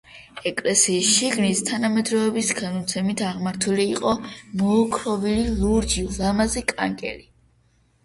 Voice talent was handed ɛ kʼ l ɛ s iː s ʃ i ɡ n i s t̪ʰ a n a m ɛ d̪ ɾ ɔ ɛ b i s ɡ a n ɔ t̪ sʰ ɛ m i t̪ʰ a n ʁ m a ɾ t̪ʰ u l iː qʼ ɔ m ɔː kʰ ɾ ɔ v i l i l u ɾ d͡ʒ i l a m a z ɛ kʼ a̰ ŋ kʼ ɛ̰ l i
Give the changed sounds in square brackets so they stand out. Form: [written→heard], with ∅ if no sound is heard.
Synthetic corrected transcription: ɛ kʼ l ɛ s iː s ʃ i ɡ n i s t̪ʰ a n a m ɛ d̪ ɾ ɔ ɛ b i s ɡ a n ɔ t̪ sʰ ɛ m i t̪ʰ a [n→∅] ʁ m a ɾ t̪ʰ u l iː qʼ ɔ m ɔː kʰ ɾ ɔ v i l i l u ɾ d͡ʒ i l a m a z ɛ kʼ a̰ ŋ kʼ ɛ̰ l i